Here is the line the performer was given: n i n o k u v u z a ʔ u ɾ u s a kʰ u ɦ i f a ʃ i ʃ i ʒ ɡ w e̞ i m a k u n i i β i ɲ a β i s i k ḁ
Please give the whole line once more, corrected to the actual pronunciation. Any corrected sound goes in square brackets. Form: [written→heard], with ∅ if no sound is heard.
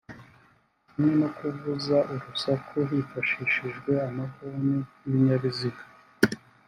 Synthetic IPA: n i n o k u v u z a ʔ u ɾ u s a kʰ u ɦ i f a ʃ i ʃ i ʒ ɡ w e̞ [i→a] m a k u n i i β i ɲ a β i [s→z] i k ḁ